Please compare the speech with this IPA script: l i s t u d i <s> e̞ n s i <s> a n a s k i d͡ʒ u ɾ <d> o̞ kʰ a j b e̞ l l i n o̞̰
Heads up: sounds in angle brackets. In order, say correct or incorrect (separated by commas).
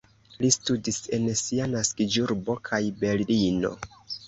correct, incorrect, incorrect